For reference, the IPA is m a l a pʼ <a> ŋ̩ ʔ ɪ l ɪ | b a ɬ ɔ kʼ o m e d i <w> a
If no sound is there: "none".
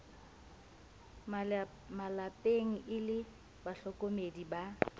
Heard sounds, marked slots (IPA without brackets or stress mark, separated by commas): e, b